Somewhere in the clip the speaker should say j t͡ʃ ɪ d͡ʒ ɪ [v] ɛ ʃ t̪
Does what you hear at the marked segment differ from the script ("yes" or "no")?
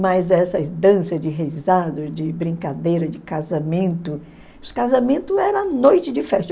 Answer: yes